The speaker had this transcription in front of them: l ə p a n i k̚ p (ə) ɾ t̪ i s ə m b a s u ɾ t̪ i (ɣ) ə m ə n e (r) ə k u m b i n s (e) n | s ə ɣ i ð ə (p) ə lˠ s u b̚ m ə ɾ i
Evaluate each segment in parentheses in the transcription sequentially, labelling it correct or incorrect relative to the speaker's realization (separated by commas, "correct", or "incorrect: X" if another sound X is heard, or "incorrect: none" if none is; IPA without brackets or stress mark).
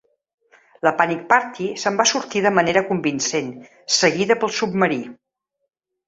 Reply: incorrect: a, incorrect: ð, incorrect: ɾ, correct, correct